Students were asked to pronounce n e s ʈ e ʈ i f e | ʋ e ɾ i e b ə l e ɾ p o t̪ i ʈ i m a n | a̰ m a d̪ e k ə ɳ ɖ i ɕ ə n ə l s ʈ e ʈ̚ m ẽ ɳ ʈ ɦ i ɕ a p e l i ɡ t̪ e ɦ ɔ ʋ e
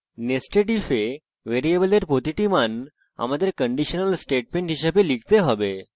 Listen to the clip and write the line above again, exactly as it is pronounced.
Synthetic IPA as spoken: n e s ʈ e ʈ i f e | ʋ e ɾ i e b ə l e ɾ p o t̪ i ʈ i m a n | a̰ m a d̪ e k ə ɳ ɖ i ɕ ə n ə l s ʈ e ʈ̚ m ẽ ɳ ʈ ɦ i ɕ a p e l i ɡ t̪ e ɦ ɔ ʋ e